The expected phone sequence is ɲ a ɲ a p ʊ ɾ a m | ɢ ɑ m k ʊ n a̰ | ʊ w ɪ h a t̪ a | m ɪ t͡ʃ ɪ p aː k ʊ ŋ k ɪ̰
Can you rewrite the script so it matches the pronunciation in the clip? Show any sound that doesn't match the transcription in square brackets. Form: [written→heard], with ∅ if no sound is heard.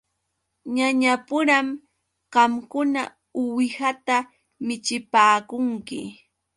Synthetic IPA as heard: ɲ a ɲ a p ʊ ɾ a m | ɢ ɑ m k ʊ n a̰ | ʊ w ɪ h a t̪ a | m ɪ t͡ʃ ɪ p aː k ʊ ŋ k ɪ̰